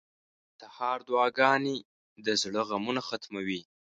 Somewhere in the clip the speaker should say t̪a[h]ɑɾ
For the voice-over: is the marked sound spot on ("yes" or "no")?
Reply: yes